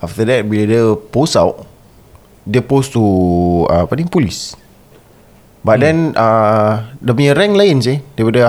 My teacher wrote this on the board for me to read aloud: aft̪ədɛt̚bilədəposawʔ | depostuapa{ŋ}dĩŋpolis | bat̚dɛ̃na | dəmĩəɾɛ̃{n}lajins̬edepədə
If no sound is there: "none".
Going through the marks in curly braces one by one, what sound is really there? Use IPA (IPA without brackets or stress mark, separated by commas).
none, ŋ